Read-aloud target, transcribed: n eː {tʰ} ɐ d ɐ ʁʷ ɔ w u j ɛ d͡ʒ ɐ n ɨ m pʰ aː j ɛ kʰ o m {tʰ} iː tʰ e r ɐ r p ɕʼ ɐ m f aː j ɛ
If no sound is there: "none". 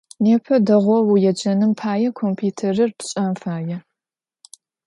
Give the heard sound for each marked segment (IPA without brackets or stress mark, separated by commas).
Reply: pʰ, pʰ